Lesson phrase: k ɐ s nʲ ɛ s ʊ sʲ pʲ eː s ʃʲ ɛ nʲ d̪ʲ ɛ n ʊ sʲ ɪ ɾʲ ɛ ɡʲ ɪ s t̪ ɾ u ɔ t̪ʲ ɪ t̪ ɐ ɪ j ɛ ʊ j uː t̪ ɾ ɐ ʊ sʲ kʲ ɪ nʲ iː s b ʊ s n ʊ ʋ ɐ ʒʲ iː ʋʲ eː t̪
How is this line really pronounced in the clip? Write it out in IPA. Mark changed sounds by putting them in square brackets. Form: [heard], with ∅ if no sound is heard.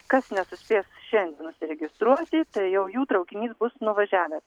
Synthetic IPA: k ɐ s nʲ ɛ s ʊ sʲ pʲ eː s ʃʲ ɛ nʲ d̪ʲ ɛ n ʊ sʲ ɪ ɾʲ ɛ ɡʲ ɪ s t̪ ɾ u ɔ t̪ʲ ɪ t̪ ɐ ɪ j ɛ ʊ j uː t̪ ɾ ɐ ʊ [∅] kʲ ɪ nʲ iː s b ʊ s n ʊ ʋ ɐ ʒʲ [æː] ʋʲ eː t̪